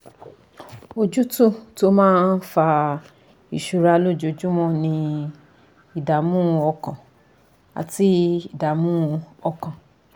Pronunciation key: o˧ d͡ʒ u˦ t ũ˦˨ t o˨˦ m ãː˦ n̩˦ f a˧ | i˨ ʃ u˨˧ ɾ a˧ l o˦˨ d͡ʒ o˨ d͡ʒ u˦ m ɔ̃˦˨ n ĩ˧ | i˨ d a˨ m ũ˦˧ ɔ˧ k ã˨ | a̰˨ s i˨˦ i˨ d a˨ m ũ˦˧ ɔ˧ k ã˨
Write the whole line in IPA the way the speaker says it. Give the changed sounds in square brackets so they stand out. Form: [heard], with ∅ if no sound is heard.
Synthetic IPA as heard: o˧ d͡ʒ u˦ t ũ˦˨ t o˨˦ m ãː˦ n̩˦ f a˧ | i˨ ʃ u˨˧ ɾ a˧ l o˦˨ d͡ʒ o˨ d͡ʒ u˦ m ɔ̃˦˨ n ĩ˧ | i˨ d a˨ m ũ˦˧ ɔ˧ k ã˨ | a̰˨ [t] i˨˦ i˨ d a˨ m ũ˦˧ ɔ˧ k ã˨